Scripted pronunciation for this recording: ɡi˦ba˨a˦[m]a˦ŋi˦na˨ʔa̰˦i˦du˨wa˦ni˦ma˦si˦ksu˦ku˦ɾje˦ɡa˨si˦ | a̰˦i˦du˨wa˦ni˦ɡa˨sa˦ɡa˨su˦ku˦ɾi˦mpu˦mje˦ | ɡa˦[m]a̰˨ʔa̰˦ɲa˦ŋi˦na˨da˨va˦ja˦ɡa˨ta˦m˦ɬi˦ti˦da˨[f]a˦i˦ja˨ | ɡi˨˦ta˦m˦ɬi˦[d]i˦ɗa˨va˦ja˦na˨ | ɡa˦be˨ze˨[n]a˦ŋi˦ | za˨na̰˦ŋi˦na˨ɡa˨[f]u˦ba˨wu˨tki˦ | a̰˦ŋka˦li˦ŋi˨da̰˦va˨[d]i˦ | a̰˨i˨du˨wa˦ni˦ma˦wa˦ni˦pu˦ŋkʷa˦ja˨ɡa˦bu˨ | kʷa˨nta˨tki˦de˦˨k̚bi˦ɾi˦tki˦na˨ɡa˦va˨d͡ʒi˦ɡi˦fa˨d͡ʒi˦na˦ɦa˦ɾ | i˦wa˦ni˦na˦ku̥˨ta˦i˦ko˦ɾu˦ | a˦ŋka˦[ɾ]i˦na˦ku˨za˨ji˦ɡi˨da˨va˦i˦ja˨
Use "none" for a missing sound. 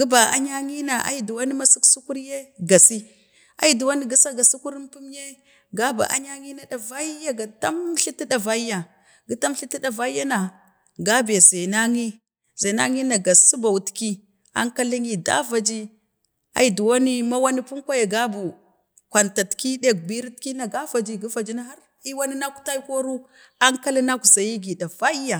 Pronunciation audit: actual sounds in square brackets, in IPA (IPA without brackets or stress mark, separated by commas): ɲ, b, v, t, n, s, d͡ʒ, l